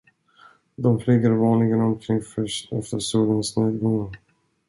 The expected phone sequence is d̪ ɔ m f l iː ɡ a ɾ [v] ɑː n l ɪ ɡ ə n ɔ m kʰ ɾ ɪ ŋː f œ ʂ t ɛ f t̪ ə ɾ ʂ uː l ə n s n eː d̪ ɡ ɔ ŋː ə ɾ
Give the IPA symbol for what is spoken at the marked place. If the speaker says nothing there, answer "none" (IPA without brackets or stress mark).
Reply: v